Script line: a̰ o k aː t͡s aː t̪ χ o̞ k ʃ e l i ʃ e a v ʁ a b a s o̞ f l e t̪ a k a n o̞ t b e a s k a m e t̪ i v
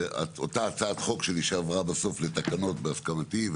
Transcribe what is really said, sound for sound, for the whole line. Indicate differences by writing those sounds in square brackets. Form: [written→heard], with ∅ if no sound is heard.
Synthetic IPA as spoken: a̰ o [k→t] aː t͡s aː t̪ χ o̞ k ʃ e l i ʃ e a v ʁ a b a s o̞ f l e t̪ a k a n o̞ t b e a s k a m [e→a] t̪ i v